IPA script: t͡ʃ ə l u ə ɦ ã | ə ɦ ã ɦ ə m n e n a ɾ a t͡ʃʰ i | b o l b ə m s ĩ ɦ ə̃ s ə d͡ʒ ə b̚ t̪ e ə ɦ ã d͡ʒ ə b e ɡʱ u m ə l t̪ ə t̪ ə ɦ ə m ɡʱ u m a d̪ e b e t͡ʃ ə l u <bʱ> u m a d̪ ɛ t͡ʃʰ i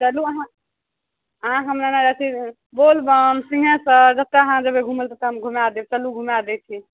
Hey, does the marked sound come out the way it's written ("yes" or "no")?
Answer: no